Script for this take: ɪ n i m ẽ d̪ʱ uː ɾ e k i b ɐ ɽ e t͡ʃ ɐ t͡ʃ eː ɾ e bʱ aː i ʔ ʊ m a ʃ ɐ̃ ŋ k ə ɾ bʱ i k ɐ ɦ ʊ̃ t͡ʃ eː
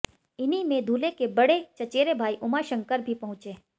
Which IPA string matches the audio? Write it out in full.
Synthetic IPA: ɪ n i m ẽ d̪ʱ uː l e k e b ɐ ɽ e t͡ʃ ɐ t͡ʃ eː ɾ e bʱ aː i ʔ ʊ m a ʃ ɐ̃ ŋ k ə ɾ bʱ i p ɐ ɦ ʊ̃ t͡ʃ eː